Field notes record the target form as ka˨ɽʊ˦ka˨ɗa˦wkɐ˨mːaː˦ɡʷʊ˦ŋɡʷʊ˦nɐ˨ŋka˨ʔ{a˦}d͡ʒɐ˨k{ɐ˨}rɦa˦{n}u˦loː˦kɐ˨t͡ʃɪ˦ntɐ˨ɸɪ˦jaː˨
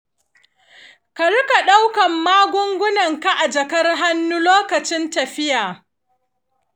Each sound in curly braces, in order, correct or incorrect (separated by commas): incorrect, incorrect, incorrect